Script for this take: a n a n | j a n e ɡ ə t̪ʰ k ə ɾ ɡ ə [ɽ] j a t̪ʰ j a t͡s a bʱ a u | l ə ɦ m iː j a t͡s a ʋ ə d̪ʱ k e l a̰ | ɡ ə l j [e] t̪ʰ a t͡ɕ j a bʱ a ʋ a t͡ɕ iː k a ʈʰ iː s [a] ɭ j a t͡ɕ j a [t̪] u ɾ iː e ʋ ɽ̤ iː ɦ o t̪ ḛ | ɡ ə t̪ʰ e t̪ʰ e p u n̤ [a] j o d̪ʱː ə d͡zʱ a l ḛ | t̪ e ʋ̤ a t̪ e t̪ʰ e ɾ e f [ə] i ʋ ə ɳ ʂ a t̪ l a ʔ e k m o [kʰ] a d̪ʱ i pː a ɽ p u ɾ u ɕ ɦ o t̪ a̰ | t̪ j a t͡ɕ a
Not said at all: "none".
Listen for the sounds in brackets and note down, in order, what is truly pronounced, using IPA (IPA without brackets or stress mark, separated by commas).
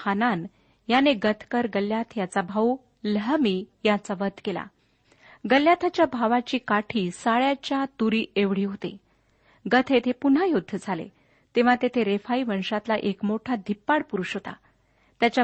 l, a, a, t̪, a, a, ʈʰ